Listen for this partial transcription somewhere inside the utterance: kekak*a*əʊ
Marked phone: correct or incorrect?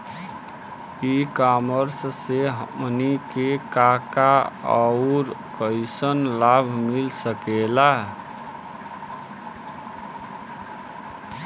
correct